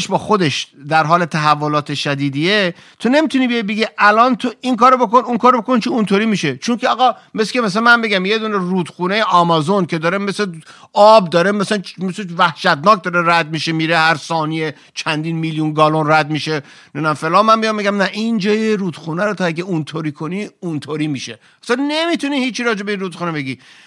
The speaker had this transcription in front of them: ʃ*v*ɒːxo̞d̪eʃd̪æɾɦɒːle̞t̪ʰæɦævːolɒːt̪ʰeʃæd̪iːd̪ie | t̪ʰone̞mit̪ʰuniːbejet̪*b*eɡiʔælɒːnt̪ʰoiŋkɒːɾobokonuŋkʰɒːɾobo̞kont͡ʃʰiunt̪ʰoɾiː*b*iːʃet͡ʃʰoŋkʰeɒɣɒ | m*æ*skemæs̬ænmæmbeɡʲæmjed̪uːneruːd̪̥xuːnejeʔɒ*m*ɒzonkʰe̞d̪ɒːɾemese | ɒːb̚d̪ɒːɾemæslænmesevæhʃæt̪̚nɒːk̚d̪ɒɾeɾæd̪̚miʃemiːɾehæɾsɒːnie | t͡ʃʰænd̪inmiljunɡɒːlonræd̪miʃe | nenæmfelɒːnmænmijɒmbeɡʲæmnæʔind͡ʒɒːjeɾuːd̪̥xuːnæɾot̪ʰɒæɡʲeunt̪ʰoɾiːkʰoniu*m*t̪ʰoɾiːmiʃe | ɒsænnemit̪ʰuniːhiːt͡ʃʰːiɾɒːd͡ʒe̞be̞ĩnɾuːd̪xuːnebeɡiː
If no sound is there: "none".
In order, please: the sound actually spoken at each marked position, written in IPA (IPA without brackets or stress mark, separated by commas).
b, b, m, e, m, n